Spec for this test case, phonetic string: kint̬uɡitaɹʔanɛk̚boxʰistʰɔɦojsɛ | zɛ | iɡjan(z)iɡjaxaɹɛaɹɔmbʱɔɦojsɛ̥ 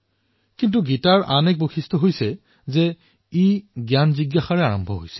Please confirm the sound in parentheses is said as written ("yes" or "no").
yes